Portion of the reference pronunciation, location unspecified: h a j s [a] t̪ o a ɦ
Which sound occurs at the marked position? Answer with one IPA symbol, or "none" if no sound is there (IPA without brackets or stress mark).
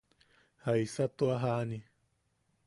a